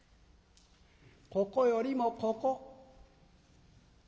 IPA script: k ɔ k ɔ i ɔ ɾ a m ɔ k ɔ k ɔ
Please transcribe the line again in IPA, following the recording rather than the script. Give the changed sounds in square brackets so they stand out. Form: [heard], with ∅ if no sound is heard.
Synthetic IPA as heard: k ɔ k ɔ [j] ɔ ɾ [i] m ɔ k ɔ k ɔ